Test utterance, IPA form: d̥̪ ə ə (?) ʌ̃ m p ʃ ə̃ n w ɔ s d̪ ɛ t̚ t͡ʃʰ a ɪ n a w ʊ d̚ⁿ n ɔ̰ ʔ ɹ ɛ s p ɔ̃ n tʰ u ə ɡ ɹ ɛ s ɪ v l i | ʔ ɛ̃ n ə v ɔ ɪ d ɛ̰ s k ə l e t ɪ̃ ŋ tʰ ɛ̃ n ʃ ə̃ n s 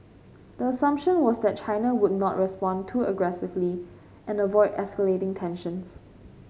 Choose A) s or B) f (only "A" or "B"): A